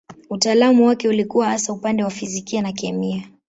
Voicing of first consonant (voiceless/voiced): voiceless